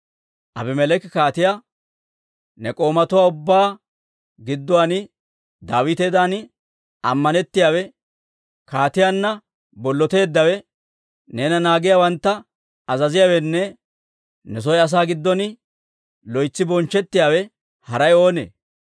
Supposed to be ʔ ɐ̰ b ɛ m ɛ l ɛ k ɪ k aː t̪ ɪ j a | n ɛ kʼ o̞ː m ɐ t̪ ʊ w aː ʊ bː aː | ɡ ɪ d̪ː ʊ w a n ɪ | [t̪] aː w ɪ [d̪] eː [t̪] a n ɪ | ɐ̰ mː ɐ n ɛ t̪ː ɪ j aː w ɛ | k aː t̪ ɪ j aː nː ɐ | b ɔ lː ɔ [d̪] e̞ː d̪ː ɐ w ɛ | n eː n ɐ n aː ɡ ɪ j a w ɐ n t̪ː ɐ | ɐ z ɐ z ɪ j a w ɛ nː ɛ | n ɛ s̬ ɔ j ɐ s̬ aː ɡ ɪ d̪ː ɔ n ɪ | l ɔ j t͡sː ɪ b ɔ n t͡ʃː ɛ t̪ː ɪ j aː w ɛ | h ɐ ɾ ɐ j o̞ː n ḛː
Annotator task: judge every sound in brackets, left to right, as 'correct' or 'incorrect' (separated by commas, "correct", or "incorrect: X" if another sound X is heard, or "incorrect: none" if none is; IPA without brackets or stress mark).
incorrect: d̪, incorrect: t̪, incorrect: d̪, incorrect: t̪